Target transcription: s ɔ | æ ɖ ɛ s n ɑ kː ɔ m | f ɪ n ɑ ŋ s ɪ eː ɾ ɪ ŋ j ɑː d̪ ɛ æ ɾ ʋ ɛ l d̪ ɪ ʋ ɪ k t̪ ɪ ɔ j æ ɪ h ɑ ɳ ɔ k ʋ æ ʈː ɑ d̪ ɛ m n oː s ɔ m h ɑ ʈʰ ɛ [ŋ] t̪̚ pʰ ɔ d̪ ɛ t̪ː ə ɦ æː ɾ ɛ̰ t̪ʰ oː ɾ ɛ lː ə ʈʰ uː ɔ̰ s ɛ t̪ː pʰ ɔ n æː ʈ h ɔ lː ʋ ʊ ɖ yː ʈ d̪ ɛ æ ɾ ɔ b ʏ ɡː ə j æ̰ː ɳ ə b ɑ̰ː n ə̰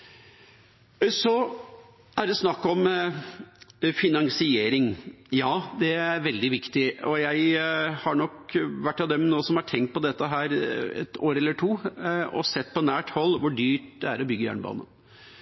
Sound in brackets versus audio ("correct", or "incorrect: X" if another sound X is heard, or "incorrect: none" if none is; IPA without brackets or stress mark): correct